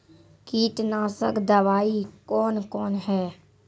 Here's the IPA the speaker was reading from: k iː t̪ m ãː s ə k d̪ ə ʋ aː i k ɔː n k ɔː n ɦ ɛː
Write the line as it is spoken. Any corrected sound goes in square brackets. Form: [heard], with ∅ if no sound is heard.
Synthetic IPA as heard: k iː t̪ [n] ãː s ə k d̪ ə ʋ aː i k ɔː n k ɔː n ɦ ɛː